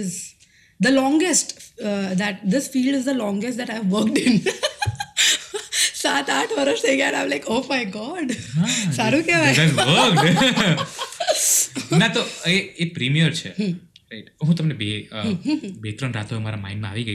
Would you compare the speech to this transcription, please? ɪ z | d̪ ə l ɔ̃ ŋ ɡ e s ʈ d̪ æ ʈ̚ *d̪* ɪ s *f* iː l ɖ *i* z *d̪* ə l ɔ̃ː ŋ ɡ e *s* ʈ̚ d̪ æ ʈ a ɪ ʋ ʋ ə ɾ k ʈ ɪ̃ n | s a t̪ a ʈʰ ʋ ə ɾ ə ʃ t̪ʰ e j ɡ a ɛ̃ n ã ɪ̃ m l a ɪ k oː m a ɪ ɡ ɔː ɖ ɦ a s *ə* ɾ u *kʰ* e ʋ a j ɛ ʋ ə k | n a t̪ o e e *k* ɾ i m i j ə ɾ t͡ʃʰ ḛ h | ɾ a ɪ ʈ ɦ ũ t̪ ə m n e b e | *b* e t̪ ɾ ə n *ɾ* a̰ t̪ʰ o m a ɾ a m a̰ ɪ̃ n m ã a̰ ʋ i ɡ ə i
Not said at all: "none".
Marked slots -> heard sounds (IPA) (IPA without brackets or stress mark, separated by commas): d̪, f, ɪ, d̪, s, a, k, p, b, ɾ